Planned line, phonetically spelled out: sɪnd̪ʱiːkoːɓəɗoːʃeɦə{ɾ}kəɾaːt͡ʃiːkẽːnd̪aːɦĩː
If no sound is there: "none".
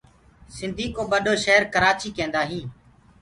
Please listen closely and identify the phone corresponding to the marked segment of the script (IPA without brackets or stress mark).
ɾ